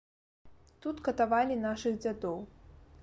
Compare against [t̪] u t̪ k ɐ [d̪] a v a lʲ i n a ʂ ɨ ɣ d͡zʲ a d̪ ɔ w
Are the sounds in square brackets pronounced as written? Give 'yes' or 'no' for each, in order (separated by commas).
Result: yes, no